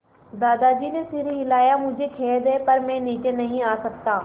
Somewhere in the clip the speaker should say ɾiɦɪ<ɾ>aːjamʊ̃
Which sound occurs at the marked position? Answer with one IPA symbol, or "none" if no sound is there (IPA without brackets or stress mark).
l